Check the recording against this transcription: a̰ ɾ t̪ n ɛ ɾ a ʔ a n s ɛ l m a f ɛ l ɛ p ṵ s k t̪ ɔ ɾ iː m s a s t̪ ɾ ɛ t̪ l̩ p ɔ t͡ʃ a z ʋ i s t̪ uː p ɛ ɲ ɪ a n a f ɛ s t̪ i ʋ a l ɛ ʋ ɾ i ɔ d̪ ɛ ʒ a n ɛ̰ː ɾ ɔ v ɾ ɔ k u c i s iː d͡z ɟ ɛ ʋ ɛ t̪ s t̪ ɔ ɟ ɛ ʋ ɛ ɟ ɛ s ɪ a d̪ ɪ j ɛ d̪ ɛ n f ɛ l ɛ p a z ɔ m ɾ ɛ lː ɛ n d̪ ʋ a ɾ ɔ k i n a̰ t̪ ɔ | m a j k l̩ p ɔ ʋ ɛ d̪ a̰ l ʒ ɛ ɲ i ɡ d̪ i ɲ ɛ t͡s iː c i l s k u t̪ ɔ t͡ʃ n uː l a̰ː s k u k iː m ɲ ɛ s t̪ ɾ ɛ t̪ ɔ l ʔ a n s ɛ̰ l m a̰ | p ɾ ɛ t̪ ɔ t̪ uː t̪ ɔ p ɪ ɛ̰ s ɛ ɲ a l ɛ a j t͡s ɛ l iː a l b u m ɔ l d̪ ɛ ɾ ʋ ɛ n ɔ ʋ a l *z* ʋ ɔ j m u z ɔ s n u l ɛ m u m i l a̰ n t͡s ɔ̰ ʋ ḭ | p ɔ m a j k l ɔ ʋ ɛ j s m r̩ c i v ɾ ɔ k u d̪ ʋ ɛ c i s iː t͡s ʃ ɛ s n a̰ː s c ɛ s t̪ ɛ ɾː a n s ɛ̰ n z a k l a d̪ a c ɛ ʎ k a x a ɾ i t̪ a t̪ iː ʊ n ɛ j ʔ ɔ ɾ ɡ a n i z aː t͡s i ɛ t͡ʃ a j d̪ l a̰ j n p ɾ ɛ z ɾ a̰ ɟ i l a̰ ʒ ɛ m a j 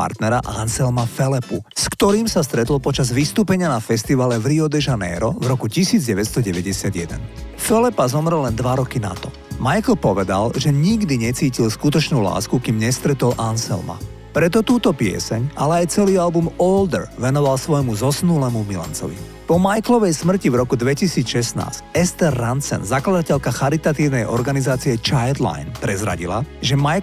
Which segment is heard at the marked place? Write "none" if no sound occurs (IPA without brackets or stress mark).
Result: s